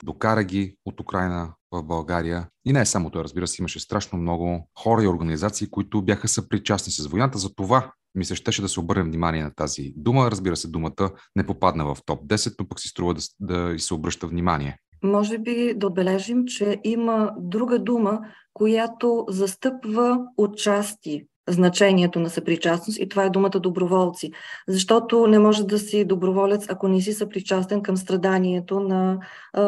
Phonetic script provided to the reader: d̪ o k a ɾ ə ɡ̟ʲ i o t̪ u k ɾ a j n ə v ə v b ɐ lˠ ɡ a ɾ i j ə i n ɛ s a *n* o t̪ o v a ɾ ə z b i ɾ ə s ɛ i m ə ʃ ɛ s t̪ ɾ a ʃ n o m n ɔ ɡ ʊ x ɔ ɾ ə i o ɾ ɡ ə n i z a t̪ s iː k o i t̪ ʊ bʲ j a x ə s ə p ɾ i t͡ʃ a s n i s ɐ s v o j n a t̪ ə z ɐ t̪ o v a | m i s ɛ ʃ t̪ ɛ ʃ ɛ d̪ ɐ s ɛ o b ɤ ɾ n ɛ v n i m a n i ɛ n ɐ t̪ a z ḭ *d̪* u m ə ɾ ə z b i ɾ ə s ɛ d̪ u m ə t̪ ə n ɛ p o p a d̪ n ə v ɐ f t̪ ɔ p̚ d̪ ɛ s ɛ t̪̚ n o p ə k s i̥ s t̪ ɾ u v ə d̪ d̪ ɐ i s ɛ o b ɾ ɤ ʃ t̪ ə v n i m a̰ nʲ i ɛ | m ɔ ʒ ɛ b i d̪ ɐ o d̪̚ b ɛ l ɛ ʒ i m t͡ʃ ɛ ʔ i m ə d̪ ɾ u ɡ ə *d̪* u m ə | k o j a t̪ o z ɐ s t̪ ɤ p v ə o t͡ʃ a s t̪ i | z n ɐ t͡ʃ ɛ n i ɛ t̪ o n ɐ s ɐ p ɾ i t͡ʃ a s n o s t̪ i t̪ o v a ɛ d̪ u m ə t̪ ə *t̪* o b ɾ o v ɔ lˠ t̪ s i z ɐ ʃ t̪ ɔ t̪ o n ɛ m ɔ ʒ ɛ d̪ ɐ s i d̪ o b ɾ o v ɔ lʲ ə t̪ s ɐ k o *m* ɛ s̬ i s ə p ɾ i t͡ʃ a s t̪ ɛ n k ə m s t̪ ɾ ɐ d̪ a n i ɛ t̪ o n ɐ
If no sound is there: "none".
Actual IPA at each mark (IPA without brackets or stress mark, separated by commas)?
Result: m, d̪, d̪, d̪, n